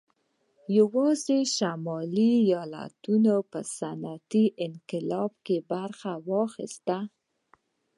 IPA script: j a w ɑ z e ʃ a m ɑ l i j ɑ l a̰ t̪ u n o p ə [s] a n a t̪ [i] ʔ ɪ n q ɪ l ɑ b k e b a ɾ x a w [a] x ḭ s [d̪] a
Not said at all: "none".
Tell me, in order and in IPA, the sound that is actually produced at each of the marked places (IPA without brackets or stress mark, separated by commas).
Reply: s, i, ɑ, t̪